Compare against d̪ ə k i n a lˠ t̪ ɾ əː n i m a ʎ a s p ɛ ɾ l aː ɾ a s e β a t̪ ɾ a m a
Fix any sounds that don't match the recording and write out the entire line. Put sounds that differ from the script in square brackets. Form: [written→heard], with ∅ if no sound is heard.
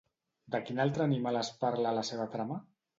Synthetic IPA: d̪ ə k i n a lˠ t̪ ɾ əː n i m a [ʎ→l] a s p [ɛ→a] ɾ l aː [ɾ→l] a s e β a t̪ ɾ a m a